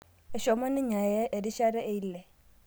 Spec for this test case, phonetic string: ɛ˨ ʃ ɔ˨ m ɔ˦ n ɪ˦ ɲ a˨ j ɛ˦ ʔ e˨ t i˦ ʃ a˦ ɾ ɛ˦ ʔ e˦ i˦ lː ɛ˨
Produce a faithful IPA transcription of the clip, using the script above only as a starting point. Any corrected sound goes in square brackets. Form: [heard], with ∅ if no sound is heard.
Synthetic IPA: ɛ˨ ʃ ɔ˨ m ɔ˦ n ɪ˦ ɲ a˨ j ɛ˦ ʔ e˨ [d] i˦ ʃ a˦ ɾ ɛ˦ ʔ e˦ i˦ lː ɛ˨